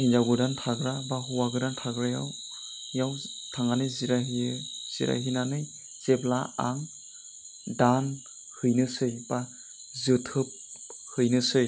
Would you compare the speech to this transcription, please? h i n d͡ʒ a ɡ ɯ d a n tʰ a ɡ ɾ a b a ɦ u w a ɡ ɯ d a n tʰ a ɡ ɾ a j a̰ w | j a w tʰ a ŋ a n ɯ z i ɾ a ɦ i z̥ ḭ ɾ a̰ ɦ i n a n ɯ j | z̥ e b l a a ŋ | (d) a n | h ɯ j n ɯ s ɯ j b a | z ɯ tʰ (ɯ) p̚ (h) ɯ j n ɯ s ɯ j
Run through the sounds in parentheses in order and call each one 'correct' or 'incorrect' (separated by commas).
correct, correct, correct